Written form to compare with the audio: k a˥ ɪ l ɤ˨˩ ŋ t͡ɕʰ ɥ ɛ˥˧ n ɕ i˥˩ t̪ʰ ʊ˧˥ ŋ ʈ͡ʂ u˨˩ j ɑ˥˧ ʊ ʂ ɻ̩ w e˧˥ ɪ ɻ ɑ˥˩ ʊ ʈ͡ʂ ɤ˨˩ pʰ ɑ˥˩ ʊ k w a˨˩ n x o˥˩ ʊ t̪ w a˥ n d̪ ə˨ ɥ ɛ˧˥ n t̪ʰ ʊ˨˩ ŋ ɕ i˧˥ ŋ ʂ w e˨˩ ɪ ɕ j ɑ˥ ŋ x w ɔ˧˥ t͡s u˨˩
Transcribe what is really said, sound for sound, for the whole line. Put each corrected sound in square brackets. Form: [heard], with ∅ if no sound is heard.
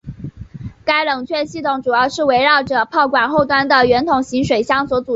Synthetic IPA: k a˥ ɪ l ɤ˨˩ ŋ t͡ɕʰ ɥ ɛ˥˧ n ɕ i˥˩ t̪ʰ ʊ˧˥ ŋ ʈ͡ʂ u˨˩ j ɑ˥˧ ʊ ʂ ɻ̩ w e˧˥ ɪ ɻ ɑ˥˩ ʊ ʈ͡ʂ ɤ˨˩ pʰ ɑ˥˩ ʊ k w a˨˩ n x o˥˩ ʊ t̪ w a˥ n d̪ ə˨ ɥ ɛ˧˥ n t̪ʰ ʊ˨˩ ŋ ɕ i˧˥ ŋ ʂ w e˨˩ ɪ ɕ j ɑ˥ ŋ [s] w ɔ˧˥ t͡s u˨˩

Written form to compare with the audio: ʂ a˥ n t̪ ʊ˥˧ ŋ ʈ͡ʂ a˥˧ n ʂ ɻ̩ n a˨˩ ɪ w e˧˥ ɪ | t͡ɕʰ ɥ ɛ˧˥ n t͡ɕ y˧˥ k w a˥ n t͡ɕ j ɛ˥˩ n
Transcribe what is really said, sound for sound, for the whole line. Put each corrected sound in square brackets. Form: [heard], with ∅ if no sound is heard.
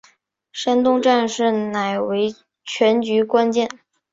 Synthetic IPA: ʂ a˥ n t̪ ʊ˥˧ ŋ ʈ͡ʂ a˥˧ n ʂ ɻ̩ n a˨˩ ɪ w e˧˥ ɪ | t͡ɕʰ ɥ ɛ˧˥ n t͡ɕ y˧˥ k w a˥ n t͡ɕ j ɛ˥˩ n

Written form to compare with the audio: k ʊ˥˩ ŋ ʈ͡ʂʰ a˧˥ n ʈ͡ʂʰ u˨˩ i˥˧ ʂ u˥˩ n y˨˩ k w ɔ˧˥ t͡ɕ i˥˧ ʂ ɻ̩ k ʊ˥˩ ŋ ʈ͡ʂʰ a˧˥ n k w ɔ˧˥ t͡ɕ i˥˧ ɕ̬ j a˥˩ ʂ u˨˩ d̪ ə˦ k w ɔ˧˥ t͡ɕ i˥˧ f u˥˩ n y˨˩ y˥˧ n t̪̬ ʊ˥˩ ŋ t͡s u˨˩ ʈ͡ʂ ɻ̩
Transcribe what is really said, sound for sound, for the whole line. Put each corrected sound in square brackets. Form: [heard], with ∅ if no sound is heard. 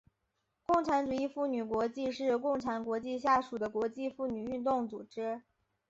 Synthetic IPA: k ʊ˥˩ ŋ ʈ͡ʂʰ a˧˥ n [ʈ͡ʂ] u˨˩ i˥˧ [f] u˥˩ n y˨˩ k w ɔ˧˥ t͡ɕ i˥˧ ʂ ɻ̩ k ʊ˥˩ ŋ ʈ͡ʂʰ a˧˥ n k w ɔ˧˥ t͡ɕ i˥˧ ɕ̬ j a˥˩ ʂ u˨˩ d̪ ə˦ k w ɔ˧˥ t͡ɕ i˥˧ f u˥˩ n y˨˩ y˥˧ n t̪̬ ʊ˥˩ ŋ t͡s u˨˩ ʈ͡ʂ ɻ̩

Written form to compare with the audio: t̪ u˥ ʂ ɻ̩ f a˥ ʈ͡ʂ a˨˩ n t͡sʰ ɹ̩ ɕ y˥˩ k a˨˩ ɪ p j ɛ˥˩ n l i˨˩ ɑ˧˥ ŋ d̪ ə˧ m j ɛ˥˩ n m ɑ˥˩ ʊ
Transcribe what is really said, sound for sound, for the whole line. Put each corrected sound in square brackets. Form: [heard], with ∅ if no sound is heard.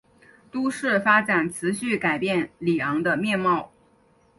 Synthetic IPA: t̪ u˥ ʂ ɻ̩ f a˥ ʈ͡ʂ a˨˩ n t͡sʰ ɹ̩ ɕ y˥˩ k a˨˩ ɪ p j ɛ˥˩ n l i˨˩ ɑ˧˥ ŋ d̪ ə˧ m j [ɛ˥˧] n m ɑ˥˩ ʊ

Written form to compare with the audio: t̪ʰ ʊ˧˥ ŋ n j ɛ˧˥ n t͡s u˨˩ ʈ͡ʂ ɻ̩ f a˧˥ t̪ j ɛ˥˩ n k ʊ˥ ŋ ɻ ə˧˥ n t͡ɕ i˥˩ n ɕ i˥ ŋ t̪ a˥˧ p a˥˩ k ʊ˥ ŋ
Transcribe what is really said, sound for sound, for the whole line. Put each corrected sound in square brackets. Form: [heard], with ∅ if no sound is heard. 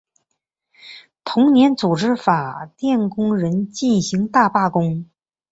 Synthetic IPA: t̪ʰ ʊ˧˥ ŋ n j ɛ˧˥ n t͡s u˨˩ ʈ͡ʂ ɻ̩ f [a˨˩] t̪ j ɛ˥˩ n k ʊ˥ ŋ ɻ ə˧˥ n t͡ɕ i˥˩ n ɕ [i˧˥] ŋ t̪ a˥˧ p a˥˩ k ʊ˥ ŋ

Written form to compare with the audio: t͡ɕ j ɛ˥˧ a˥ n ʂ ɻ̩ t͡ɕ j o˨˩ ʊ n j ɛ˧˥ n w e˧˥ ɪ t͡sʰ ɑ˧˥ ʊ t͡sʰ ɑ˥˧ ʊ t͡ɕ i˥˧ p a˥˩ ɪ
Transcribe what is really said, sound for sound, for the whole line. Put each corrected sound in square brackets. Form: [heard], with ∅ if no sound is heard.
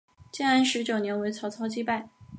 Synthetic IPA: t͡ɕ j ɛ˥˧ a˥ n ʂ ɻ̩ t͡ɕ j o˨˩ ʊ n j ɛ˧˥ n w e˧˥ ɪ t͡sʰ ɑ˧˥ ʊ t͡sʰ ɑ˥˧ ʊ t͡ɕ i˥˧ p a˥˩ ɪ

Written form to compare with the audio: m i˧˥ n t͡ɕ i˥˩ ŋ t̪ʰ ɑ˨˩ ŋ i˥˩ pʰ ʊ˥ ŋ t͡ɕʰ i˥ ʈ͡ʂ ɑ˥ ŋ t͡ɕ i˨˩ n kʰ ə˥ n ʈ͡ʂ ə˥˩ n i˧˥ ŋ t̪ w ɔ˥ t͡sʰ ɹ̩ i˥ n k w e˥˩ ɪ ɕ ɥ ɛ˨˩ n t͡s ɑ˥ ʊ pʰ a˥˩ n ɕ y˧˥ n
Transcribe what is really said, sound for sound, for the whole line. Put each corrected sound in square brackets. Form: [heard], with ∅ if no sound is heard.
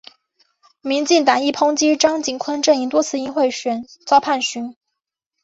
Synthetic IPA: m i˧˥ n t͡ɕ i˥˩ ŋ [t̪] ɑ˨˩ ŋ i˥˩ pʰ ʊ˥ ŋ [t͡ɕ] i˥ ʈ͡ʂ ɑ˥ ŋ t͡ɕ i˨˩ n kʰ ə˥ n ʈ͡ʂ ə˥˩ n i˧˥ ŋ t̪ w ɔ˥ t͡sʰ ɹ̩ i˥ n [x] w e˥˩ ɪ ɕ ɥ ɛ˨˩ n t͡s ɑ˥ ʊ pʰ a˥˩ n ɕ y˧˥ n

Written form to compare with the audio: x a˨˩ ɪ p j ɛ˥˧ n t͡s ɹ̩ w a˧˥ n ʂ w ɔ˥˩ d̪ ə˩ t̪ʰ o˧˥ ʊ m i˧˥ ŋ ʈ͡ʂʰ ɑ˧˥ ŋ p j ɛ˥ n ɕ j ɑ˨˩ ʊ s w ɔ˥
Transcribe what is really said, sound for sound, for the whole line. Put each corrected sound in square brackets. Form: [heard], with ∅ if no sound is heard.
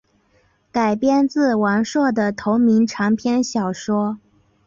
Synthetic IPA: [k] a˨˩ ɪ p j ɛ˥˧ n t͡s ɹ̩ w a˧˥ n ʂ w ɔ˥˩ d̪ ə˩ t̪ʰ o˧˥ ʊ m i˧˥ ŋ ʈ͡ʂʰ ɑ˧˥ ŋ [pʰ] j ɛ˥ n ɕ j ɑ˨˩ ʊ [ʂ] w ɔ˥

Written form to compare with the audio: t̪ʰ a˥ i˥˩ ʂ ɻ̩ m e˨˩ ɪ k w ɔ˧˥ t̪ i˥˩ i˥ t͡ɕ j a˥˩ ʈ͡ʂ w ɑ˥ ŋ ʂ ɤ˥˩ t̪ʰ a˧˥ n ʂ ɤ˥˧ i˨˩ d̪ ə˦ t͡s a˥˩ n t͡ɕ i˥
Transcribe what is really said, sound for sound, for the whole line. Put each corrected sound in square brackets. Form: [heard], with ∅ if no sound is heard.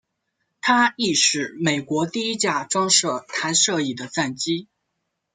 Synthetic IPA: t̪ʰ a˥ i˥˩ ʂ ɻ̩ m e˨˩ ɪ k w ɔ˧˥ t̪ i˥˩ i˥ t͡ɕ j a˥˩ ʈ͡ʂ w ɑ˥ ŋ ʂ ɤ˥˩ t̪ʰ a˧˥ n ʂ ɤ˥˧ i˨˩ d̪ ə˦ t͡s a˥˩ n t͡ɕ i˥

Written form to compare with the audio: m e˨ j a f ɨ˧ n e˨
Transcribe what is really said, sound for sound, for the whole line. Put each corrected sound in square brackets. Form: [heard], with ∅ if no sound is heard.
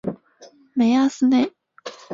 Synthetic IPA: m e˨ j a [s] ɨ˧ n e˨

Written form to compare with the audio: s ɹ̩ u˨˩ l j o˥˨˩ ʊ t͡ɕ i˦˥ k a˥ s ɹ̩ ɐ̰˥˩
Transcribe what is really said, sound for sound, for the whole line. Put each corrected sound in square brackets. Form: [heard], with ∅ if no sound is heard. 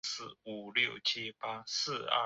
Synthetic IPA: s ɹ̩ u˨˩ l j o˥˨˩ ʊ [t͡ɕʰ] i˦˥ [p] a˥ s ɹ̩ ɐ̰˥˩

